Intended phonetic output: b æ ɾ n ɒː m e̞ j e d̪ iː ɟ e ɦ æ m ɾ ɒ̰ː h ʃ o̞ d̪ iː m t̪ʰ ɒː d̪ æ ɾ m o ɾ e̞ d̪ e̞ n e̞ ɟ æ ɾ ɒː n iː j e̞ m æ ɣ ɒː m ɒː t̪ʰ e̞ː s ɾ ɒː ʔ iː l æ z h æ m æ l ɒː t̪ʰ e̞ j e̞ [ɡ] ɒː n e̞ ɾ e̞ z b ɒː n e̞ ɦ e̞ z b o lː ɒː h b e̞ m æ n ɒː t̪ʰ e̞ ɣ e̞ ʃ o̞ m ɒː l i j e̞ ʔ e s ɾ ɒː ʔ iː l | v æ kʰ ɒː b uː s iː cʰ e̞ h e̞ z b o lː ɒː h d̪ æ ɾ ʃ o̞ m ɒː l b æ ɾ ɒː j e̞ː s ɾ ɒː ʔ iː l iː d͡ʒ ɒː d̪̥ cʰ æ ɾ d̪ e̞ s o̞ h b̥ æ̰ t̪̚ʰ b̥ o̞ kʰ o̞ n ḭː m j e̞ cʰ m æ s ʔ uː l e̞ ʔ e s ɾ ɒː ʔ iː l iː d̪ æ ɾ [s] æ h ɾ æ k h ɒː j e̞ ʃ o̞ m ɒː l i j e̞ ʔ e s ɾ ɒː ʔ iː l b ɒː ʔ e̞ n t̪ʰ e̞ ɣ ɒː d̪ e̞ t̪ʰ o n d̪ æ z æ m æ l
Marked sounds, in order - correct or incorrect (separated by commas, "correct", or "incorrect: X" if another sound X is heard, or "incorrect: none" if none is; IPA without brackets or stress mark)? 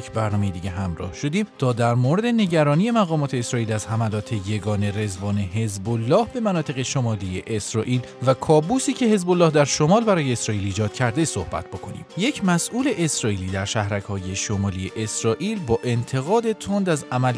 correct, incorrect: ʃ